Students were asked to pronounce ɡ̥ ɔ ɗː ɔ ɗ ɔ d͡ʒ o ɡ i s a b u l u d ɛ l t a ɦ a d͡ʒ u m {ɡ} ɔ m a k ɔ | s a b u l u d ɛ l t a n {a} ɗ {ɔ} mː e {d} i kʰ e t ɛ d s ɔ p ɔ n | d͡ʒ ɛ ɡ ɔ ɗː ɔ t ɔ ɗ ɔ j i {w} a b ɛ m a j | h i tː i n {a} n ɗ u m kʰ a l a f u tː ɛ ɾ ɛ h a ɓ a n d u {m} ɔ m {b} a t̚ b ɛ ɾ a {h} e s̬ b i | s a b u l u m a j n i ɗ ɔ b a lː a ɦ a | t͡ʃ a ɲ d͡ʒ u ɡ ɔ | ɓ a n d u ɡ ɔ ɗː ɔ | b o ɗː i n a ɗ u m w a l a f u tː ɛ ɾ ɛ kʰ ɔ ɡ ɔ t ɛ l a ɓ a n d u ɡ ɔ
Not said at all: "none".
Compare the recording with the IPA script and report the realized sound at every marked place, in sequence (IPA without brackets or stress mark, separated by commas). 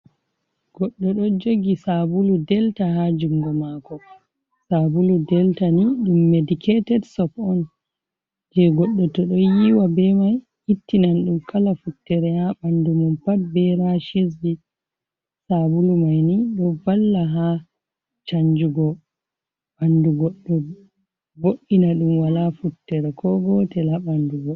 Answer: ɡ, i, u, d, w, a, m, p, ʃ